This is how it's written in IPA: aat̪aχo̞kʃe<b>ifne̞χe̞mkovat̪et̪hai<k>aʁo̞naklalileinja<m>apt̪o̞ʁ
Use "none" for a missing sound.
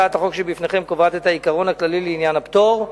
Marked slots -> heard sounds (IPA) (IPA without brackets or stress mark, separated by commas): b, k, n